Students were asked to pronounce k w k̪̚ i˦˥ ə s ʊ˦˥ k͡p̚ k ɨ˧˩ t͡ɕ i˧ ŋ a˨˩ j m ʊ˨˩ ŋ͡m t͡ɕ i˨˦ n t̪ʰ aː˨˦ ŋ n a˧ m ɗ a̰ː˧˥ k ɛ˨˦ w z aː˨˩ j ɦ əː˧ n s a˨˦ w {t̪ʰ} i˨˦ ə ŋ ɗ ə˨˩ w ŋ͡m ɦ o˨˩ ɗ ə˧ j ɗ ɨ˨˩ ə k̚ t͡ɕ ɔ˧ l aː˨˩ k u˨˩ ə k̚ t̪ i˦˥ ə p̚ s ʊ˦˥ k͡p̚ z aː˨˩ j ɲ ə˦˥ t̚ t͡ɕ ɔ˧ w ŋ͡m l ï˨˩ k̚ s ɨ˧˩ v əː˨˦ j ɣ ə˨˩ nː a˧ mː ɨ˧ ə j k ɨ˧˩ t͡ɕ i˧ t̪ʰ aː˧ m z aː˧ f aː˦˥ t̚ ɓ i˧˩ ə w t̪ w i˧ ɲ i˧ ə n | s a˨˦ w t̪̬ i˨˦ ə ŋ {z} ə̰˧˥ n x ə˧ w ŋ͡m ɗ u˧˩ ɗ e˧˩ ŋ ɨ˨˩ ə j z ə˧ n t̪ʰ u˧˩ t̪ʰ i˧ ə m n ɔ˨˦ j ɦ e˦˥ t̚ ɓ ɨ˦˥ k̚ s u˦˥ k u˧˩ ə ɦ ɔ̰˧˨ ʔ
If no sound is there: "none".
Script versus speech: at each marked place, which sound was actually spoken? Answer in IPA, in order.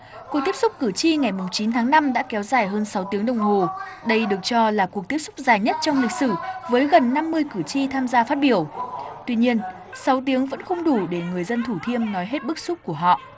t̪, v

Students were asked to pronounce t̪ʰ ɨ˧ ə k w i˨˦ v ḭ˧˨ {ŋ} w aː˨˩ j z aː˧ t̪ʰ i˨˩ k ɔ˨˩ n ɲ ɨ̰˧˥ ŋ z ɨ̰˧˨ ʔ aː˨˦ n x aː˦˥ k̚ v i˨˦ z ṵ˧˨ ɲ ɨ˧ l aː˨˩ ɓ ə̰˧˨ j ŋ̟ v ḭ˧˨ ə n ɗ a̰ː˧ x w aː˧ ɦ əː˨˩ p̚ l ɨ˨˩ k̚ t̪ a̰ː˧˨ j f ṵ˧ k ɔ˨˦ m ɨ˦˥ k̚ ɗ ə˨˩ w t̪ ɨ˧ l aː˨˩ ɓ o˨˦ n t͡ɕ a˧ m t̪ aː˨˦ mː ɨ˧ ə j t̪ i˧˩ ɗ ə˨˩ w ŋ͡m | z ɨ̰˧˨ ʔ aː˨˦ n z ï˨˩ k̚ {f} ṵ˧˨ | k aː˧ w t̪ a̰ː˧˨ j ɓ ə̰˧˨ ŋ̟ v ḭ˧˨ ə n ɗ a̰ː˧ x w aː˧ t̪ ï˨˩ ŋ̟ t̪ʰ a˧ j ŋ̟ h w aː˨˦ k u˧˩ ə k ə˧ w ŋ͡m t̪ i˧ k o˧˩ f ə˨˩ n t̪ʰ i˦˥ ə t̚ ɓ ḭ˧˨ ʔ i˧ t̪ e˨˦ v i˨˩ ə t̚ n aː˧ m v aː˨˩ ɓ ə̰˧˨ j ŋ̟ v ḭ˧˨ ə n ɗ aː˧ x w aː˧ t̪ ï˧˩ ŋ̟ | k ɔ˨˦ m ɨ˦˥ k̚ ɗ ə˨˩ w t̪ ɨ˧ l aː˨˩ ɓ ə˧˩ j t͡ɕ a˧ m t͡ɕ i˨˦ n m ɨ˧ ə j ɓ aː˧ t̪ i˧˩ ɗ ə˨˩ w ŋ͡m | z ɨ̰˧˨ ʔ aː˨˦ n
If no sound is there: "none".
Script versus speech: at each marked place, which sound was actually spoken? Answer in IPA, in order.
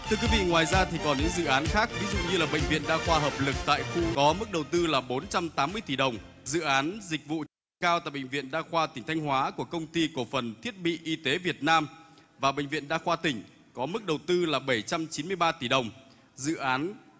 ŋ, v

